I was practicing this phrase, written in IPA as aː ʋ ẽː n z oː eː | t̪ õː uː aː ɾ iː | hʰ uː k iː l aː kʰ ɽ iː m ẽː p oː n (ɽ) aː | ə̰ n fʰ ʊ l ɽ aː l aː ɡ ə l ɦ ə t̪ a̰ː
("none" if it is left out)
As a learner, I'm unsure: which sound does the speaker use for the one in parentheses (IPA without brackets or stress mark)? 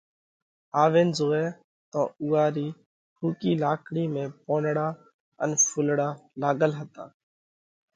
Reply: ɽ